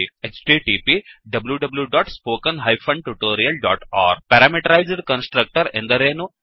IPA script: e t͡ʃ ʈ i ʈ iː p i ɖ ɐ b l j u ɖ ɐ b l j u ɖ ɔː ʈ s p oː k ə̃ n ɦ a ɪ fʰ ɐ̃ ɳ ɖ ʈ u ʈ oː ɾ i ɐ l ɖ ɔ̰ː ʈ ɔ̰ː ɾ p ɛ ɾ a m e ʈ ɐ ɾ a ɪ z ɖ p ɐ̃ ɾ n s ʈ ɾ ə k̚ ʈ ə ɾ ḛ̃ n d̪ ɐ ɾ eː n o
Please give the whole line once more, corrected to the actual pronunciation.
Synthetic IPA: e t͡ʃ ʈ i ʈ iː p i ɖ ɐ b l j u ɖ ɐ b l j u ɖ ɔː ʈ s p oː k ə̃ n ɦ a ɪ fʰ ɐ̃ ɳ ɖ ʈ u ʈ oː ɾ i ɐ l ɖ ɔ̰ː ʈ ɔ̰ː ɾ p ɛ ɾ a m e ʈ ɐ ɾ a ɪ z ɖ k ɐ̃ n s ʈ ɾ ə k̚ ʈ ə ɾ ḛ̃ n d̪ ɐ ɾ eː n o